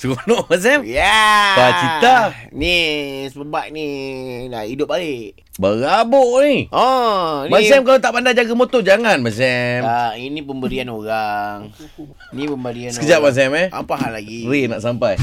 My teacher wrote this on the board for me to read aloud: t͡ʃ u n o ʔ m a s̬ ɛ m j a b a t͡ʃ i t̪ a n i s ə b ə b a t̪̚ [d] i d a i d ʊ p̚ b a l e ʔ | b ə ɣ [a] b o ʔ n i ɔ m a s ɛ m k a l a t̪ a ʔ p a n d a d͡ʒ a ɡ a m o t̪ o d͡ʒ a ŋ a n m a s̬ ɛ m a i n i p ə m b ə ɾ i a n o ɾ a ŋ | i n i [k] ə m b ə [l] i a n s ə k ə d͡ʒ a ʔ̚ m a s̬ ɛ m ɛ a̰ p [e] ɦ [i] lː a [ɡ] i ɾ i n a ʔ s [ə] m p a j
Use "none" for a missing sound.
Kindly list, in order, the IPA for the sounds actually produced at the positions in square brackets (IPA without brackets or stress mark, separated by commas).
n, a, p, ɾ, a, a, ɡ, a